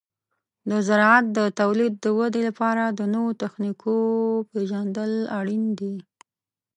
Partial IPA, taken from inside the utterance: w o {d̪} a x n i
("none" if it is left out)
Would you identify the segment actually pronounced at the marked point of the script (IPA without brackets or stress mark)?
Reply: t̪